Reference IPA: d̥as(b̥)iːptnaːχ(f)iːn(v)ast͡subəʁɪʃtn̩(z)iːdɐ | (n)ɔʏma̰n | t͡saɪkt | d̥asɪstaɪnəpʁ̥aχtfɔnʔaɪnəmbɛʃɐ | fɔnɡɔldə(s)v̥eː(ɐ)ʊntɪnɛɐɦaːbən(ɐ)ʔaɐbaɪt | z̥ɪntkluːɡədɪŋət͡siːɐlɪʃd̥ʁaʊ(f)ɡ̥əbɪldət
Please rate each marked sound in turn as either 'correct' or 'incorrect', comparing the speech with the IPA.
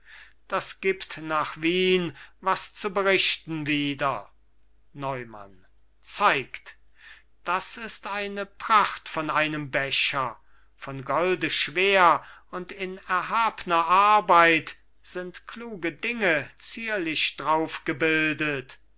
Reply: incorrect: ɡ̥, incorrect: v, correct, incorrect: v, correct, incorrect: ʃ, correct, correct, correct

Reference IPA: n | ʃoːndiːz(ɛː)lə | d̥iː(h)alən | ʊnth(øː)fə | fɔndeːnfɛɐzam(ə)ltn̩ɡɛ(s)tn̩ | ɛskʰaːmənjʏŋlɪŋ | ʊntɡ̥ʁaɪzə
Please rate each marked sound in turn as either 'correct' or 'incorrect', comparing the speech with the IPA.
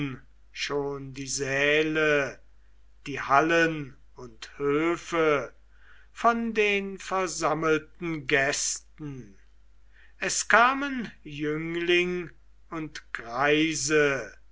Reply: correct, correct, correct, correct, correct

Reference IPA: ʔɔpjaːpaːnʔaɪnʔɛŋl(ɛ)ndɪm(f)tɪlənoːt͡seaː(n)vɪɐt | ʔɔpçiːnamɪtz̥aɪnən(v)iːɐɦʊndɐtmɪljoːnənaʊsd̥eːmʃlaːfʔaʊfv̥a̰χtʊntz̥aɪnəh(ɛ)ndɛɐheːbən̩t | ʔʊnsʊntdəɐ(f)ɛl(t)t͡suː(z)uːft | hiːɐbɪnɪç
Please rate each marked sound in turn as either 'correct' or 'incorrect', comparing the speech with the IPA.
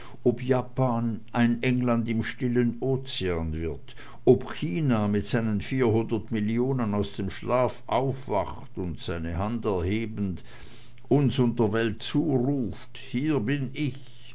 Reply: incorrect: a, incorrect: ʃ, correct, incorrect: f, incorrect: a, incorrect: v, correct, incorrect: ʁ

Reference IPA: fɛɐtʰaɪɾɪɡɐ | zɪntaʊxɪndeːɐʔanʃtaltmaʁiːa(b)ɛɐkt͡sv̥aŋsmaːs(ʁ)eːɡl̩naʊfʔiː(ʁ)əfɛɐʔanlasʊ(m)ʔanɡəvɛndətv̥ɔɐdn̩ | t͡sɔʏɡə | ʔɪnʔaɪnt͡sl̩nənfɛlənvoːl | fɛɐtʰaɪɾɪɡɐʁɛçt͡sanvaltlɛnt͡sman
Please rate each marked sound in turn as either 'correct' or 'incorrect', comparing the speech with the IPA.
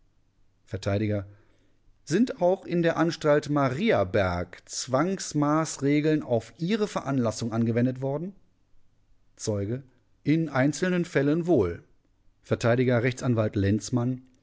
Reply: correct, correct, correct, incorrect: ŋ

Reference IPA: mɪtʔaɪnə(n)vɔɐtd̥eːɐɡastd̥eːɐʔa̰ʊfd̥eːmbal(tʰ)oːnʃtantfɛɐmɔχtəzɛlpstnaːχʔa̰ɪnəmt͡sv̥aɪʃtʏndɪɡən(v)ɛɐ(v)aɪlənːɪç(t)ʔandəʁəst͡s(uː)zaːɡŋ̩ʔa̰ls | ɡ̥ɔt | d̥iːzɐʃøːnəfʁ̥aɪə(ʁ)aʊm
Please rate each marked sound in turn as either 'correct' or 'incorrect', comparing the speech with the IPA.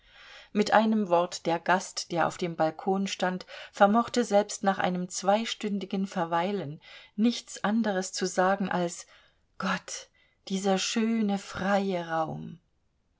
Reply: incorrect: m, incorrect: kʰ, incorrect: f, correct, incorrect: t͡s, incorrect: u, correct

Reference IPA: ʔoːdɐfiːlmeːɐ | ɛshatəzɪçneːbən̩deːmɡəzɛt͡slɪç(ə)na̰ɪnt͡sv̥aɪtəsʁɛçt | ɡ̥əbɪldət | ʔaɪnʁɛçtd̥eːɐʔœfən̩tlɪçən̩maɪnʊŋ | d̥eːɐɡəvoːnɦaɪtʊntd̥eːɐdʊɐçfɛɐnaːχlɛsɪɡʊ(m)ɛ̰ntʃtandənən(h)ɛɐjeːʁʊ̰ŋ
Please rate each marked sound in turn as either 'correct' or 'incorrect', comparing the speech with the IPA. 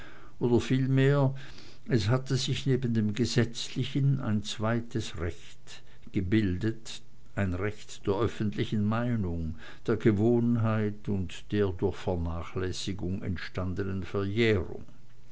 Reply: correct, incorrect: ŋ, incorrect: f

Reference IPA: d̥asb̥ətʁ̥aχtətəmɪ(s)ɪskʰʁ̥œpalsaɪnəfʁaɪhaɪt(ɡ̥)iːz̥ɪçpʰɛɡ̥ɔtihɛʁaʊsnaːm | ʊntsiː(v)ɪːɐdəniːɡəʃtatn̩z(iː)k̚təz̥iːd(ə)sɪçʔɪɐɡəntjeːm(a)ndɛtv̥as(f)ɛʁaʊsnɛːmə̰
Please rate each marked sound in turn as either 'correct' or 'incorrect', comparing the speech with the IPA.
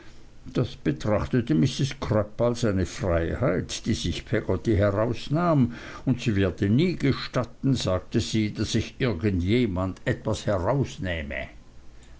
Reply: correct, incorrect: d̥, correct, incorrect: aː, incorrect: a, correct, incorrect: h

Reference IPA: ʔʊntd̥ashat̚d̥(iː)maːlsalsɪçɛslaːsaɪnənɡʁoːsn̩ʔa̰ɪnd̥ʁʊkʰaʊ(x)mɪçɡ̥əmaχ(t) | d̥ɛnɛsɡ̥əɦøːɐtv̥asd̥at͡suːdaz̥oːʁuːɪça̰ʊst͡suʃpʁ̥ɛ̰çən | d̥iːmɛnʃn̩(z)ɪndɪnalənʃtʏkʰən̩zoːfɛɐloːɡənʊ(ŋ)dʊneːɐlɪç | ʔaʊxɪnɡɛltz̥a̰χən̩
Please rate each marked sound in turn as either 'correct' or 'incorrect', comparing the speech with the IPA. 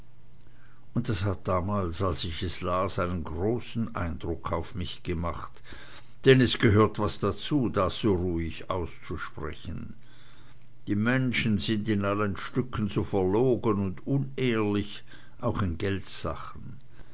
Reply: incorrect: aː, incorrect: f, correct, correct, incorrect: n

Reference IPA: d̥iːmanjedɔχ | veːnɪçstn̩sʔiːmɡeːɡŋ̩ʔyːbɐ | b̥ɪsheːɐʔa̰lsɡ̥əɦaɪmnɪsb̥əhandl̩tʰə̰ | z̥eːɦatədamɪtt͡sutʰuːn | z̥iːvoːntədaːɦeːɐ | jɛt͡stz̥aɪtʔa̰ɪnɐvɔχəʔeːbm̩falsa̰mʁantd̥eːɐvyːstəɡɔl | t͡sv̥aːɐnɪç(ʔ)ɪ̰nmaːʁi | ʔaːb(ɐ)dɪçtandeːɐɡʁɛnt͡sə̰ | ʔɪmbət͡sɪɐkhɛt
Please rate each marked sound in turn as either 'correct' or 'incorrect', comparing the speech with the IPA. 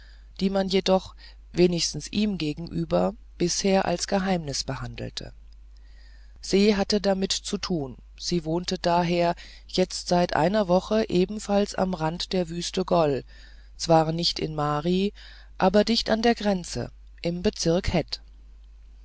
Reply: incorrect: t, correct

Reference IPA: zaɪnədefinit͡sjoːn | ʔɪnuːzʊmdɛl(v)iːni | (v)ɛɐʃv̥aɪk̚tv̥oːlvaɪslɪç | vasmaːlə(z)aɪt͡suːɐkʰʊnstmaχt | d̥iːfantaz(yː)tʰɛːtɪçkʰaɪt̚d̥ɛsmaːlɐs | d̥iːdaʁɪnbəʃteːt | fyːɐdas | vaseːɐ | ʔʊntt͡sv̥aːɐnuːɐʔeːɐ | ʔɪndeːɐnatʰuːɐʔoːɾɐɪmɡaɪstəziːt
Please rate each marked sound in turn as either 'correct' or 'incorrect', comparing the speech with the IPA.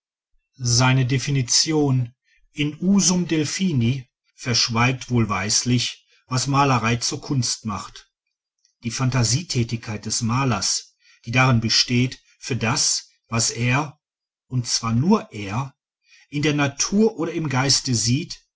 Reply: incorrect: f, incorrect: f, incorrect: ʁ, incorrect: iː

